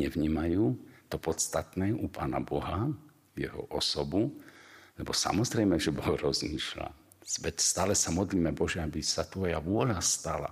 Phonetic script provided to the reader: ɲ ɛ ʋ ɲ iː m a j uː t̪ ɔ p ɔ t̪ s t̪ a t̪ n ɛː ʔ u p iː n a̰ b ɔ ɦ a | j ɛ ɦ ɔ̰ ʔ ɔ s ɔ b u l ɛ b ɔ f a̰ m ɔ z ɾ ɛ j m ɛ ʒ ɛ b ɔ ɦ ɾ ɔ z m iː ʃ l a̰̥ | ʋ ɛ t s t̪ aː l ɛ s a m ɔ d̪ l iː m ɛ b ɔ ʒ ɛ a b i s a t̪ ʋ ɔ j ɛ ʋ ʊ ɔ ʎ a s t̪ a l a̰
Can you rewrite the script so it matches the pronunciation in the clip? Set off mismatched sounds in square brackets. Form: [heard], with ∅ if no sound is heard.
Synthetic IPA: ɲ ɛ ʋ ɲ iː m a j uː t̪ ɔ p ɔ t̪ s t̪ a t̪ n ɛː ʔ u p [aː] n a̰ b ɔ ɦ a | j ɛ ɦ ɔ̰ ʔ ɔ s ɔ b u l ɛ b ɔ [s] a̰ m ɔ z ɾ ɛ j m ɛ ʒ ɛ b ɔ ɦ ɾ ɔ z m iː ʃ l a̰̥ | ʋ ɛ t s t̪ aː l ɛ s a m ɔ d̪ l iː m ɛ b ɔ ʒ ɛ a b i s a t̪ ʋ ɔ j [a] ʋ ʊ ɔ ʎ a s t̪ a l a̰